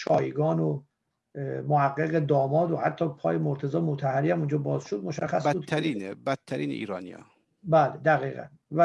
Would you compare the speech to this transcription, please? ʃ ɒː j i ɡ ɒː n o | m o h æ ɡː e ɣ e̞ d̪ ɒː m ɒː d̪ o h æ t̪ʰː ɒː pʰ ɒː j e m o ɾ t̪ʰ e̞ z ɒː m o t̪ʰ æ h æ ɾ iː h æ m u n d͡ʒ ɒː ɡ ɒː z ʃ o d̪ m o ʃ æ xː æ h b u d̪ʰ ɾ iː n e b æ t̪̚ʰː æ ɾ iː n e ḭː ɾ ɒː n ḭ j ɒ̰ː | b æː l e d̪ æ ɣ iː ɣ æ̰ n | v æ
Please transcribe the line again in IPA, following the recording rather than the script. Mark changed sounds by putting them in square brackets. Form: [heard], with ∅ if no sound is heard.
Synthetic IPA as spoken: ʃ ɒː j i ɡ ɒː n o | m o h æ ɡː e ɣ e̞ d̪ ɒː m ɒː d̪ o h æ t̪ʰː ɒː pʰ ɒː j e m o ɾ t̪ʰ e̞ z ɒː m o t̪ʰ æ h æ ɾ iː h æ m u n d͡ʒ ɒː [b] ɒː z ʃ o d̪ m o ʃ æ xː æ [s] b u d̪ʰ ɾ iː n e b æ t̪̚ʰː æ ɾ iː n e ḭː ɾ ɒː n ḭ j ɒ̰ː | b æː l e d̪ æ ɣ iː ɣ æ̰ n | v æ